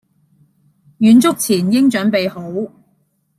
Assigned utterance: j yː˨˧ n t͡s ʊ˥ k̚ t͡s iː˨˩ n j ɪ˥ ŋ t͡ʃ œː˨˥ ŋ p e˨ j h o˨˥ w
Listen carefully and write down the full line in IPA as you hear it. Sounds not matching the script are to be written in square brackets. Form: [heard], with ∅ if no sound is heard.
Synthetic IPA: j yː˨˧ n t͡s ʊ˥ k̚ [t͡sʰ] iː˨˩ n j ɪ˥ ŋ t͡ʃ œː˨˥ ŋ p e˨ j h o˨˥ w